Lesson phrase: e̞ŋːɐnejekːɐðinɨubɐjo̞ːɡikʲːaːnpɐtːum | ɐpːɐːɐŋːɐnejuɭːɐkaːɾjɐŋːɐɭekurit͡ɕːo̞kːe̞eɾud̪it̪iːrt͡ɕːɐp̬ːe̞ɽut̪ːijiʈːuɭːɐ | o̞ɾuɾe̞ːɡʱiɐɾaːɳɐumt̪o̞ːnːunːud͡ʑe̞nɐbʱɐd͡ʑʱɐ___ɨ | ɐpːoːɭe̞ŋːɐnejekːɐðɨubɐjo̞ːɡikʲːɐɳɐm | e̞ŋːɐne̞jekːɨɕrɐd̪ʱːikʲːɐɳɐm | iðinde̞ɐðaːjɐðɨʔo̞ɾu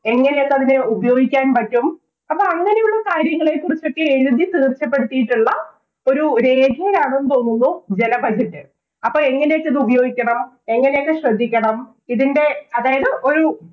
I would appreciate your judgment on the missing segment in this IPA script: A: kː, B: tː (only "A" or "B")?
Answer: B